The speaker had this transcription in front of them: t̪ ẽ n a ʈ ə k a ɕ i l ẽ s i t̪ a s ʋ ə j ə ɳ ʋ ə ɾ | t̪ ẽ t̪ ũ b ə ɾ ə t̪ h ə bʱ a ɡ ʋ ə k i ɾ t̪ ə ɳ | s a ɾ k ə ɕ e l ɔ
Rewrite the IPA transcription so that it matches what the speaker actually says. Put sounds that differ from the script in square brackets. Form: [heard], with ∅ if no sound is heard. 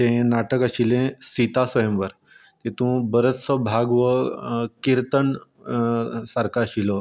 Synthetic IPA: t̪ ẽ n a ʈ ə k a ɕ i l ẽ s i t̪ a s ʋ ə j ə [m] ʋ ə ɾ | t̪ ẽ t̪ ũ b ə ɾ ə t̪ [s] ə bʱ a ɡ ʋ ə k i ɾ t̪ ə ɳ | s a ɾ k [a] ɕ [i] l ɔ